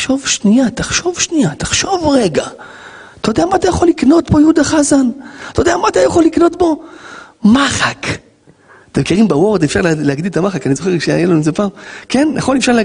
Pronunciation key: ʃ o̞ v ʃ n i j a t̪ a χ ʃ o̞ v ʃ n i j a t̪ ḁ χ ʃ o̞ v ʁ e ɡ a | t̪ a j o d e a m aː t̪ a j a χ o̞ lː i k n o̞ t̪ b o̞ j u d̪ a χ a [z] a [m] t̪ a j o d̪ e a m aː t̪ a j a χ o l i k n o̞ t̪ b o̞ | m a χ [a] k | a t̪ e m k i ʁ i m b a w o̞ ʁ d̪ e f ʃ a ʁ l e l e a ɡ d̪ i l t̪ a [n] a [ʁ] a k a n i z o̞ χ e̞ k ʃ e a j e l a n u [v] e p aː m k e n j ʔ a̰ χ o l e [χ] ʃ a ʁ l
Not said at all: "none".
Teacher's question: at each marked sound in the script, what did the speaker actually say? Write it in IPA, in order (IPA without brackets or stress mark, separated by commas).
z, n, a, m, χ, z, f